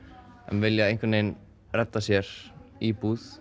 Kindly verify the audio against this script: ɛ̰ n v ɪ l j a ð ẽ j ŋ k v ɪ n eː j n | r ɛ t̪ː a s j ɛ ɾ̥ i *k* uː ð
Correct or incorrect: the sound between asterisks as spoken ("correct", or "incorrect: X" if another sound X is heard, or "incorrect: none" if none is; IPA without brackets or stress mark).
incorrect: p